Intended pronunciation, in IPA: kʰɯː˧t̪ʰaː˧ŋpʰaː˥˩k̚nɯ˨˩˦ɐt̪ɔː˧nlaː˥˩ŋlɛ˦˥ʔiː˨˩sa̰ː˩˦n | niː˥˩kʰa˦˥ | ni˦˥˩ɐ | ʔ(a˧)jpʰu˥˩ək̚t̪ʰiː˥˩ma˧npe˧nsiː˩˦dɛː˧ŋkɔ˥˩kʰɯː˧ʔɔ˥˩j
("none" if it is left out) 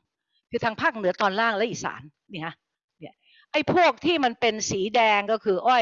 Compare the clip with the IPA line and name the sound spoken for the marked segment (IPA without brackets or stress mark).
a˥˩